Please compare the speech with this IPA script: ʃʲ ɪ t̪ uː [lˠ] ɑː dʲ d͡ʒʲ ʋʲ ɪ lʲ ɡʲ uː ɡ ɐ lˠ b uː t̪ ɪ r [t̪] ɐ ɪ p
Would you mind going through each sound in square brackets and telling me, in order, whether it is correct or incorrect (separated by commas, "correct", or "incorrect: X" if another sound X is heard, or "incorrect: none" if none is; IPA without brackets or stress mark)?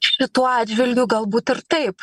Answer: incorrect: none, correct